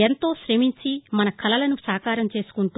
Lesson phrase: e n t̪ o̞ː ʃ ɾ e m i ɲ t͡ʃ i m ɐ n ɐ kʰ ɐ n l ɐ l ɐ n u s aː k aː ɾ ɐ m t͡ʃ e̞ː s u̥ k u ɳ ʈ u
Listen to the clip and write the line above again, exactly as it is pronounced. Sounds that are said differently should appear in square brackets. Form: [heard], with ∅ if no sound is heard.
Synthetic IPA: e n t̪ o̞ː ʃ ɾ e m i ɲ t͡ʃ i m ɐ n ɐ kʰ ɐ [∅] l ɐ l ɐ n u s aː k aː ɾ ɐ m t͡ʃ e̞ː s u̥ k u ɳ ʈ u